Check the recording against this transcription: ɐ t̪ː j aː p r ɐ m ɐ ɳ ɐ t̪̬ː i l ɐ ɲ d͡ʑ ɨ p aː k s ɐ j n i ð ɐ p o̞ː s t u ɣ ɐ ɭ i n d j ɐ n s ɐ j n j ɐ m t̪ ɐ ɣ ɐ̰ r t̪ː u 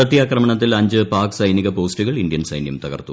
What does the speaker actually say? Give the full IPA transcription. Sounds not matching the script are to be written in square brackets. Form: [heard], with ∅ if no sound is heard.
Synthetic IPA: ɐ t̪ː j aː [k] r ɐ m ɐ ɳ ɐ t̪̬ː i l ɐ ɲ d͡ʑ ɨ p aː k s ɐ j n i [ɣ] ɐ p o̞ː s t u ɣ ɐ ɭ i n d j ɐ n s ɐ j n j ɐ m t̪ ɐ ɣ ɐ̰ r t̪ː u

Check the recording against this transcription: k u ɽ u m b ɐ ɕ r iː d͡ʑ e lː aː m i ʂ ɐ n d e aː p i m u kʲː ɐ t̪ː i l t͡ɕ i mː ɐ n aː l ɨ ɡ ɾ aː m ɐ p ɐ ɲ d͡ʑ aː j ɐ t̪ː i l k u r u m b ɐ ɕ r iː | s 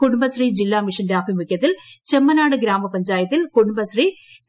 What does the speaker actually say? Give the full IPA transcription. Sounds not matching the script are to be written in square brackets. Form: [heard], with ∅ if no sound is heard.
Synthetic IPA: k u ɽ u m b ɐ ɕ r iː d͡ʑ [i] lː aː m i ʂ ɐ n d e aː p i m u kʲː ɐ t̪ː i l t͡ɕ [e] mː ɐ n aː [ɽ] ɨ ɡ ɾ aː m ɐ p ɐ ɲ d͡ʑ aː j ɐ t̪ː i l k u [ɽ] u m b ɐ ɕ r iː | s

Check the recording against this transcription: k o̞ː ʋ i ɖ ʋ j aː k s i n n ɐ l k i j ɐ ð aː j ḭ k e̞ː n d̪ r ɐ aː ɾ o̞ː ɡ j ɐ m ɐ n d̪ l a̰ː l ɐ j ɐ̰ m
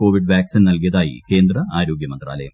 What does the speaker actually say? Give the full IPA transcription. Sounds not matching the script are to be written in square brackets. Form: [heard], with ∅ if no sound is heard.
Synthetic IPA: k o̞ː ʋ i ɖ ʋ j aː k s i n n ɐ l k i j ɐ ð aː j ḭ k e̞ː n d̪ r ɐ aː ɾ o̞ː ɡ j ɐ m ɐ n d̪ [r] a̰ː l ɐ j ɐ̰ m

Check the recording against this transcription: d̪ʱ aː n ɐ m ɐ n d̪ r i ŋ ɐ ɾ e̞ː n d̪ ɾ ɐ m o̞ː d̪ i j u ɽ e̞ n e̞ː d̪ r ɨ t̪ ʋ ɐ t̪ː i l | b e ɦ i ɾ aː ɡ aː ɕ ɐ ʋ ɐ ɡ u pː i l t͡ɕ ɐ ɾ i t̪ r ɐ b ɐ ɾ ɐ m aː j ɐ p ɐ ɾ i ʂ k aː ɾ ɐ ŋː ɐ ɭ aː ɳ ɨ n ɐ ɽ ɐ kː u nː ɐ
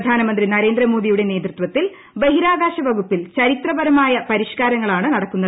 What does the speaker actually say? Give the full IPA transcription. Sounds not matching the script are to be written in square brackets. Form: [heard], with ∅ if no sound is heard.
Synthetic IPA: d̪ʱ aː n ɐ m ɐ n d̪ r i [n] ɐ ɾ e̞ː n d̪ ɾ ɐ m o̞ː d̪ i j u ɽ e̞ n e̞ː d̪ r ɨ t̪ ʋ ɐ t̪ː i l | b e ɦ i ɾ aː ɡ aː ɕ ɐ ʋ ɐ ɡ u pː i l t͡ɕ ɐ ɾ i t̪ r ɐ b ɐ ɾ ɐ m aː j ɐ p ɐ ɾ i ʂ k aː ɾ ɐ ŋː ɐ ɭ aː ɳ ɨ n ɐ ɽ ɐ kː u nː ɐ

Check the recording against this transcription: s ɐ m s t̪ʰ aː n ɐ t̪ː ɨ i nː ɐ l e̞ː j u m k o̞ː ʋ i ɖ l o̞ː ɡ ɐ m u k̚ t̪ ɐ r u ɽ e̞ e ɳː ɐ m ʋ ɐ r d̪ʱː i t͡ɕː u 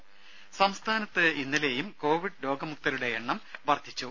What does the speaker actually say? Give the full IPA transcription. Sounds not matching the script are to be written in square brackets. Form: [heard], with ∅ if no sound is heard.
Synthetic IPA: s ɐ m s t̪ʰ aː n ɐ t̪ː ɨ i nː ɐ l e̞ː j u m k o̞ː ʋ i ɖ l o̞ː ɡ ɐ m u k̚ t̪ ɐ [ɾ] u ɽ e̞ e ɳː ɐ m ʋ ɐ r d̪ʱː i t͡ɕː u

